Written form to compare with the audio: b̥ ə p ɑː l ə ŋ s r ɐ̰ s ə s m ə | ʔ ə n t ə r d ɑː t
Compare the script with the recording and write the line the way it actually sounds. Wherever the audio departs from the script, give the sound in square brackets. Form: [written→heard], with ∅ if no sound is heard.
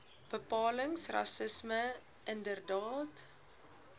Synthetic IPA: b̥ ə p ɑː l ə ŋ s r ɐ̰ s ə s m ə | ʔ ə n [t→d] ə r d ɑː t